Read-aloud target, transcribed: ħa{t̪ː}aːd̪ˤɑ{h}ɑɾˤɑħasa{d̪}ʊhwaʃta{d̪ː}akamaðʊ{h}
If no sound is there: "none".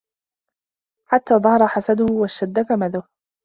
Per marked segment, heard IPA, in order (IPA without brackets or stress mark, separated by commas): t̪ː, h, d̪, d̪ː, h